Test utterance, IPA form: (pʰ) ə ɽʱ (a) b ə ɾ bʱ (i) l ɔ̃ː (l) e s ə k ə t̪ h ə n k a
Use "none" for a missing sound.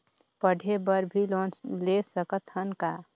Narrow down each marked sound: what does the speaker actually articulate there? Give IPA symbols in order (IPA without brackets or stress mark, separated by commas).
p, e, i, l